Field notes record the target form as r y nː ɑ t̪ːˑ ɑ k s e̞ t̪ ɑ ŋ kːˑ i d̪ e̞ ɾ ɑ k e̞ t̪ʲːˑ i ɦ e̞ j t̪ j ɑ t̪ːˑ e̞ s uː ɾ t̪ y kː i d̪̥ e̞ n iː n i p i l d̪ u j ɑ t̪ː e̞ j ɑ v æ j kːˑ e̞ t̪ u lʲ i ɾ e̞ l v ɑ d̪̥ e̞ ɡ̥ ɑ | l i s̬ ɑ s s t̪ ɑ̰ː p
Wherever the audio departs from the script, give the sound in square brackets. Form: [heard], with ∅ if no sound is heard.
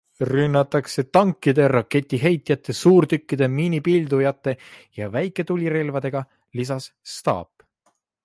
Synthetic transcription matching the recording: r y nː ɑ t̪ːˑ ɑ k s e̞ t̪ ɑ ŋ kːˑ i d̪ e̞ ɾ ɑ k e̞ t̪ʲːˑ i ɦ e̞ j t̪ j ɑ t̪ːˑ e̞ s uː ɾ t̪ y kː i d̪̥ e̞ [m] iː n i p i l d̪ u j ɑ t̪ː e̞ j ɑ v æ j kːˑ e̞ t̪ u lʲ i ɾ e̞ l v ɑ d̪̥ e̞ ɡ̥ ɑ | l i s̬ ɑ s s t̪ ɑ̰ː p